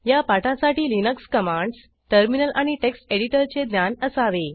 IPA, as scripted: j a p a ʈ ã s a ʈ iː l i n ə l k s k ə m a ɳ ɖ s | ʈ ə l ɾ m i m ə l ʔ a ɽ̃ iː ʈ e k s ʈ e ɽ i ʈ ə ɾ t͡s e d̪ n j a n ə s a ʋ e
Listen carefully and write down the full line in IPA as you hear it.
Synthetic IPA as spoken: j a p a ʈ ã s a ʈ iː l i n ə k s k ə m a ɳ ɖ s | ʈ ə ɾ m i n ə l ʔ a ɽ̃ i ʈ e k s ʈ e ɽ i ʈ ə ɾ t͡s e d̪ n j a n ə s a ʋ e